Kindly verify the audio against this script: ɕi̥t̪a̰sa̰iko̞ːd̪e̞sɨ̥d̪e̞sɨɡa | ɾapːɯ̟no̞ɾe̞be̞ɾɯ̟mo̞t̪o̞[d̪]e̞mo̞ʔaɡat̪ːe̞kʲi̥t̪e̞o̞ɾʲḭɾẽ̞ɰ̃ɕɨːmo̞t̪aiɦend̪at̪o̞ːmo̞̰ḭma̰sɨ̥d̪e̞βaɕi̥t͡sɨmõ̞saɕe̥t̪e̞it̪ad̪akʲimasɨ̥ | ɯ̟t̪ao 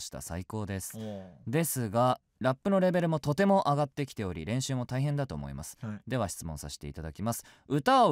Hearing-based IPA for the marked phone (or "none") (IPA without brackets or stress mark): t̪